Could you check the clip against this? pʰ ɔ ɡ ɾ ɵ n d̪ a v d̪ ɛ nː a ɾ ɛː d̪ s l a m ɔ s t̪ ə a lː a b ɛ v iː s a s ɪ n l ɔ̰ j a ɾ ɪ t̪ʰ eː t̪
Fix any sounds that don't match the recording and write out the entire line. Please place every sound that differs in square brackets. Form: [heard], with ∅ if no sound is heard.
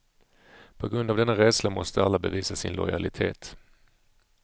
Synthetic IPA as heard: pʰ ɔ ɡ ɾ ɵ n d̪ a v d̪ ɛ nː a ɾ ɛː d̪ s l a m ɔ s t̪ ə a lː a b ɛ v iː s a s ɪ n l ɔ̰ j a [l] ɪ t̪ʰ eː t̪